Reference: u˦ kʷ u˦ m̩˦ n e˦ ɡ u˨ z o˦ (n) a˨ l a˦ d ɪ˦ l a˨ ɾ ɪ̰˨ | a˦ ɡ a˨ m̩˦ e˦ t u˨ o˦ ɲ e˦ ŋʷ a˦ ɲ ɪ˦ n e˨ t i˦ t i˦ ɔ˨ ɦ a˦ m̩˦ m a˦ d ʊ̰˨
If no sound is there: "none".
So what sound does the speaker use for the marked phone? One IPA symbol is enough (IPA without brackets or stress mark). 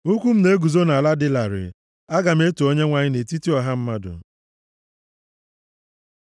n